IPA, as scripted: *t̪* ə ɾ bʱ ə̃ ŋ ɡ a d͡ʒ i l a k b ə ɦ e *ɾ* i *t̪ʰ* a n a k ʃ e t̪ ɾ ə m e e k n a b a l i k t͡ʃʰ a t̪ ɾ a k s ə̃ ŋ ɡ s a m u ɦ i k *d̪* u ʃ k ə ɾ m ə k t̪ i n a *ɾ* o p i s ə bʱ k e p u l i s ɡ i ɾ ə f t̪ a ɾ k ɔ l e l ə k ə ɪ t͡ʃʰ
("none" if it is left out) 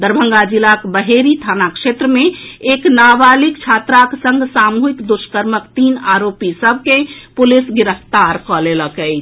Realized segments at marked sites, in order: d̪, ɾ, t̪ʰ, d̪, ɾ

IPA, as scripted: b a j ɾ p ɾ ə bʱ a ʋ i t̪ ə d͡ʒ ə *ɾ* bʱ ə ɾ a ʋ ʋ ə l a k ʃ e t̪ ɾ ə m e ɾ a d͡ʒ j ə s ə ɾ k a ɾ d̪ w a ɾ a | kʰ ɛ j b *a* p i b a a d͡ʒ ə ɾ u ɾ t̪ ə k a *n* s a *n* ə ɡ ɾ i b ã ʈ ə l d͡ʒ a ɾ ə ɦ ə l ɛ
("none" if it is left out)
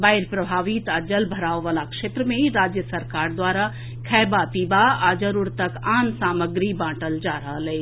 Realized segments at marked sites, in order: l, a, n, m

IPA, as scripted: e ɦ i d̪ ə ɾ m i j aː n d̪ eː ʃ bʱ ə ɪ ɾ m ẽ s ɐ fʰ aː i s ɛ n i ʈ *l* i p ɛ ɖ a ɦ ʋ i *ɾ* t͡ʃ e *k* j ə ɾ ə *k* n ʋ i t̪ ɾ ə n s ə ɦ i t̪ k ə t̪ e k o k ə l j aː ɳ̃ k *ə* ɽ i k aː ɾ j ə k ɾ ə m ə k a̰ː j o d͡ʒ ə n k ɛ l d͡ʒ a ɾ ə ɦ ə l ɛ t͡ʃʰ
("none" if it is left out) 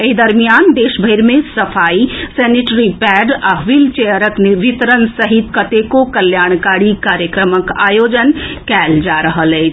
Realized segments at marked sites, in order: ɾ, l, none, k, a

